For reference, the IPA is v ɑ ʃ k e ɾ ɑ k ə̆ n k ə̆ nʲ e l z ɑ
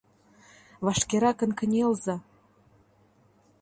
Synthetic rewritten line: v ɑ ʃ k e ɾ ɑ k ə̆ n k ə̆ nʲ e l z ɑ